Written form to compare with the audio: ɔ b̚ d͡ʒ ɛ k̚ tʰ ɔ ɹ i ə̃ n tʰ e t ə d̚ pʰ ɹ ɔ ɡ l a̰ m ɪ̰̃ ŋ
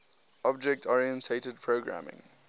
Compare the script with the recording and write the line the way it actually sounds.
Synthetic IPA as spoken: ɔ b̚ d͡ʒ ɛ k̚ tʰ ɔ ɹ i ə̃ n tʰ e t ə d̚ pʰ ɹ o ɡ ɹ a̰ m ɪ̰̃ ŋ